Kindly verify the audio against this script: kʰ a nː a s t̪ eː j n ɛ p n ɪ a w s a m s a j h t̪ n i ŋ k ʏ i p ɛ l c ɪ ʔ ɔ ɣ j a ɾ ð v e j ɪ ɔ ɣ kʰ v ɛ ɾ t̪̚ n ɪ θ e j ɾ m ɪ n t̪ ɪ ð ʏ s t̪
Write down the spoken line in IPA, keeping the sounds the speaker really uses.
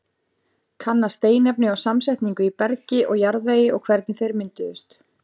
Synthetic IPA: kʰ a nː a s t̪ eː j n ɛ p n ɪ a w s a m s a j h t̪ n i ŋ k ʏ i p ɛ ɾ c ɪ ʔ ɔ ɣ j a ɾ ð v e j ɪ ɔ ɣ kʰ v ɛ ɾ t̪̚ n ɪ θ e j ɾ m ɪ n t̪ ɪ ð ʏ s t̪